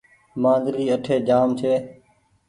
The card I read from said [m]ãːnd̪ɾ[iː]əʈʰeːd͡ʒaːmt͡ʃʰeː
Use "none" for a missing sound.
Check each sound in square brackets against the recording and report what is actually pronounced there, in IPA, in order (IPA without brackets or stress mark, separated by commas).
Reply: m, iː